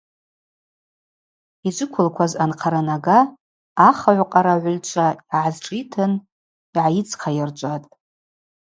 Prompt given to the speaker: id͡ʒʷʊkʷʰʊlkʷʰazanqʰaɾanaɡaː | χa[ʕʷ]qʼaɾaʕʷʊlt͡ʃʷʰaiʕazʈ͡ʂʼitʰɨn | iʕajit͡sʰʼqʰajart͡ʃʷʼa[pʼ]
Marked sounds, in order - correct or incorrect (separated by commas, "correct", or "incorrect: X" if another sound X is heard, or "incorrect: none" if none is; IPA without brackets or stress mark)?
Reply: correct, incorrect: tʼ